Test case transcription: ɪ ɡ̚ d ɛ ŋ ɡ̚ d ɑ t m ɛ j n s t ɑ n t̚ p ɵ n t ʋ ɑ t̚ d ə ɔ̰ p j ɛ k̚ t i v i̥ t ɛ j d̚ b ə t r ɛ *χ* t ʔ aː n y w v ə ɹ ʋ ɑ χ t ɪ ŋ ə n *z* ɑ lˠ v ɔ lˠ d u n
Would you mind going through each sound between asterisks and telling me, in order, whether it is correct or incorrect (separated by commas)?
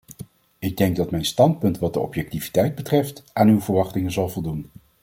incorrect, correct